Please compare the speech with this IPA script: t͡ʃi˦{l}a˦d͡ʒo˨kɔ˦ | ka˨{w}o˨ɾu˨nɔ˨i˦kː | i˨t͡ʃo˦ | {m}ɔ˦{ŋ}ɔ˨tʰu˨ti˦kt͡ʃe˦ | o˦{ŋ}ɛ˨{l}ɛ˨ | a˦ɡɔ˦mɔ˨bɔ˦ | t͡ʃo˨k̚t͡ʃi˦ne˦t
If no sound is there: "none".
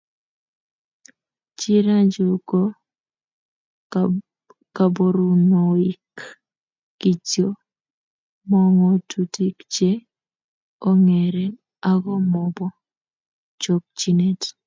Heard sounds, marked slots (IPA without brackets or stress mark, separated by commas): ɾ, b, m, ŋ, ŋ, ɾ